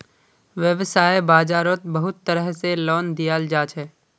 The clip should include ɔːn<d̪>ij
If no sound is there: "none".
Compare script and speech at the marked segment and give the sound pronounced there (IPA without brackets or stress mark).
d̪